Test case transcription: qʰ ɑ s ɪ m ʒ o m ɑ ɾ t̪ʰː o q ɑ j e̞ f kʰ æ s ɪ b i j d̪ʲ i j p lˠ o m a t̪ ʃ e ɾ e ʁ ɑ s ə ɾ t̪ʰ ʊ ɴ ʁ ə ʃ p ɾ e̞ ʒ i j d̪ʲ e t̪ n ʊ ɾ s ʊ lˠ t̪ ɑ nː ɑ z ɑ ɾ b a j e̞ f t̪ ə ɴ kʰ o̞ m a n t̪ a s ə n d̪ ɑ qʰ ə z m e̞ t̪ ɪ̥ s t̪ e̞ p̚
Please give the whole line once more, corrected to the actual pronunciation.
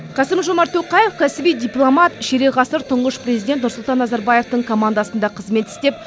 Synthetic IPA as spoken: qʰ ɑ s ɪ m ʒ o m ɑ ɾ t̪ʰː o q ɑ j e̞ f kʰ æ s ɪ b i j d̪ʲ i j p lˠ o m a t̪ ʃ e ɾ e ʁ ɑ s ə ɾ t̪ʰ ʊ ɴ ʁ ə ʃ p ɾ e̞ z i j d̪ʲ e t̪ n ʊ ɾ s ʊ lˠ t̪ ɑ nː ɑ z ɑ ɾ b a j e̞ f t̪ ə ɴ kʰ o̞ m a n d̪ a s ə n d̪ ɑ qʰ ə z m e̞ t̪ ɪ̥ s t̪ e̞ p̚

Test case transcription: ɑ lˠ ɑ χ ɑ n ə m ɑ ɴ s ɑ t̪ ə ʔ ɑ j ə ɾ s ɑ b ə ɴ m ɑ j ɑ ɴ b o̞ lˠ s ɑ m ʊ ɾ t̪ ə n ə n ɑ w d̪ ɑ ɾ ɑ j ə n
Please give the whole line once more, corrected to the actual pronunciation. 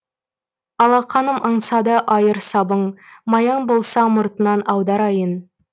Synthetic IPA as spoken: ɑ lˠ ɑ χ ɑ n ə m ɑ ɴ s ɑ d̪ ə ʔ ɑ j ə ɾ s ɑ b ə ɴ m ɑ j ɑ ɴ b o̞ lˠ s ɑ m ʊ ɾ t̪ ə n ɑ n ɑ w d̪ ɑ ɾ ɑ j ə n

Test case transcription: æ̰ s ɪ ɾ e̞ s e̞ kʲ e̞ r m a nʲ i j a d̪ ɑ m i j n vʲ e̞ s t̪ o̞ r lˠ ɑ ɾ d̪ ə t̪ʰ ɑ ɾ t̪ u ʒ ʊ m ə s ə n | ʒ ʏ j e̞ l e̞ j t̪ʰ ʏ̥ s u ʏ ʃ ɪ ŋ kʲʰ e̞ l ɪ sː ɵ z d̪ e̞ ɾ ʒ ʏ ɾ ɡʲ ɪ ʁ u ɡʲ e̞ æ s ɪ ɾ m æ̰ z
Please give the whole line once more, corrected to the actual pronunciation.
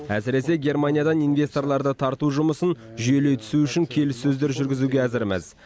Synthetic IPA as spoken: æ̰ s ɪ ɾ e̞ s e̞ ɡʲ e̞ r m a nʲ i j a d̪ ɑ n i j n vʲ e̞ s t̪ o̞ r lˠ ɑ ɾ d̪ ə t̪ʰ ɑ ɾ t̪ u ʒ ʊ m ə s ə n | ʒ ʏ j e̞ l e̞ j t̪ʰ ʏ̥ s u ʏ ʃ ɪ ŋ kʲʰ e̞ l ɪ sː ɵ z d̪ e̞ ɾ ʒ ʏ ɾ ɡʲ ɪ z u ɡʲ e̞ æ z ɪ ɾ m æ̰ z

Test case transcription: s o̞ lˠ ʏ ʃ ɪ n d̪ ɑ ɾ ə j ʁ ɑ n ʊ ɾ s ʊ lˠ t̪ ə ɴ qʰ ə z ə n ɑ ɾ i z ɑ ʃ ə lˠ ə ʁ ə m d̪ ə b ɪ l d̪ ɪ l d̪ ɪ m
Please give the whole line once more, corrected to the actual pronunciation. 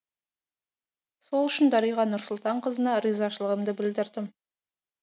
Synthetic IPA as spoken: s o̞ lˠ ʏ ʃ ɪ n d̪ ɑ ɾ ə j ʁ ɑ n ʊ ɾ s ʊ lˠ t̪ ɑ ɴ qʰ ə z ə n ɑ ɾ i z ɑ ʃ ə lˠ ə ʁ ə m d̪ ə b ɪ l d̪ ɪ ɾ d̪ ɪ m

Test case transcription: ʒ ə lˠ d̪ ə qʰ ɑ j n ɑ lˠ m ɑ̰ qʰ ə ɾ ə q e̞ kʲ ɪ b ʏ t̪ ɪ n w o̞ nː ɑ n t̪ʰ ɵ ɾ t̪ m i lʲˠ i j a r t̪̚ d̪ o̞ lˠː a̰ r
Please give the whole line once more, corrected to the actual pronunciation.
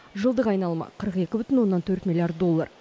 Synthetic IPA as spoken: ʒ ə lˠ d̪ ə q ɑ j n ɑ lˠ m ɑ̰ qʰ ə ɾ ə q e̞ kʲ ɪ b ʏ t̪ ɪ n w o̞ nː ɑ n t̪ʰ ɵ ɾ t̪ m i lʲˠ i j a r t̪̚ d̪ o̞ lˠː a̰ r

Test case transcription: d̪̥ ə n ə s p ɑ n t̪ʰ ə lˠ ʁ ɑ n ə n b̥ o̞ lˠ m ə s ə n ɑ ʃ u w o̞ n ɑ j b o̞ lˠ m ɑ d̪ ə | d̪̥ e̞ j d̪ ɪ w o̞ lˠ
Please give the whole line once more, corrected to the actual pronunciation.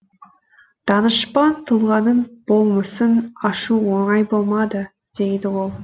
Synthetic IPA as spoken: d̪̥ ɑ n ə ʃ p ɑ n t̪ʰ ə lˠ ʁ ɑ n ə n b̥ o̞ lˠ m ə s ə n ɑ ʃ u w o̞ ɴ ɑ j b o̞ lˠ m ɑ d̪ ə | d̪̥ e̞ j d̪ ɪ w o̞ lˠ

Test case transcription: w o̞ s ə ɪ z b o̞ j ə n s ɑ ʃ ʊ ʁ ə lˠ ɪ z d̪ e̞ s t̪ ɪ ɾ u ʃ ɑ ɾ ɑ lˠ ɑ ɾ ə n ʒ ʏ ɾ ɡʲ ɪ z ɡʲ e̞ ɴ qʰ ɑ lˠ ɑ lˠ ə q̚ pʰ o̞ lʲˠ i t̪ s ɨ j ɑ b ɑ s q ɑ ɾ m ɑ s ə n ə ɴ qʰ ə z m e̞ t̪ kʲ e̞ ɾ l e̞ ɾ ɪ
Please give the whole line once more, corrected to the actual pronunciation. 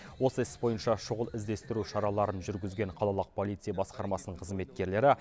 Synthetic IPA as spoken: w o̞ s ə ɪ s b o̞ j ə n ʃ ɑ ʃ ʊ ʁ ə lˠ ɪ z d̪ e̞ s t̪ ɪ ɾ u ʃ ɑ ɾ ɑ lˠ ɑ ɾ ə n ʒ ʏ ɾ ɡʲ ɪ z ɡʲ e̞ ɴ qʰ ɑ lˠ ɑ lˠ ə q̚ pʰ o̞ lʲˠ i t̪ s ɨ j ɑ b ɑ s q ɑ ɾ m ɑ s ə n ə ɴ qʰ ə z m e̞ t̪ kʲ e̞ ɾ l e̞ ɾ ɪ

